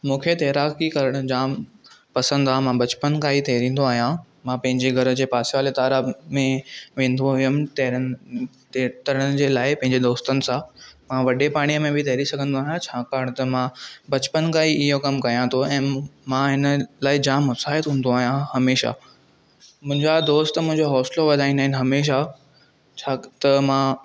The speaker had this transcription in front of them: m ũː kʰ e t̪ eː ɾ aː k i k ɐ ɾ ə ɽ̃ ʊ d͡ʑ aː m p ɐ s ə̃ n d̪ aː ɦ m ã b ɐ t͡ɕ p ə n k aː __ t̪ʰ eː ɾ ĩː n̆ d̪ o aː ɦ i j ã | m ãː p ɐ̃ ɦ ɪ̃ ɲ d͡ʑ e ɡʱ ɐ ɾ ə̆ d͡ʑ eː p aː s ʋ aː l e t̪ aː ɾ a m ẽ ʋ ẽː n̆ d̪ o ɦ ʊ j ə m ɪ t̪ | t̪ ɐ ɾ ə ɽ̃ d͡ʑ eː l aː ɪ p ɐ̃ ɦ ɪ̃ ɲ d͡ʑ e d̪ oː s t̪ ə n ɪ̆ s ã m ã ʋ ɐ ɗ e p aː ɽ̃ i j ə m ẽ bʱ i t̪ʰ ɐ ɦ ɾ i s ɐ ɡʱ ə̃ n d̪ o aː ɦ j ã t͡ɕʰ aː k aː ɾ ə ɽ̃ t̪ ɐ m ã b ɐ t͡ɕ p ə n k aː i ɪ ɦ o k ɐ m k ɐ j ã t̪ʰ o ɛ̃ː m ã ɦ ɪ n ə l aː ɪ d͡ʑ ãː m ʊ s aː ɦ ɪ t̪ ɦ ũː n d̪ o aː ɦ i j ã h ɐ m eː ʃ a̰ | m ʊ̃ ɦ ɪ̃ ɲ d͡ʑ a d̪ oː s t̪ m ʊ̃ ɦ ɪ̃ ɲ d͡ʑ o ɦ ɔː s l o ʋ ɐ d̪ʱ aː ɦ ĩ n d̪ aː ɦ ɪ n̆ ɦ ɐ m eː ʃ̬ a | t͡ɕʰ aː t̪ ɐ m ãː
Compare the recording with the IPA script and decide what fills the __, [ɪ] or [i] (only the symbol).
i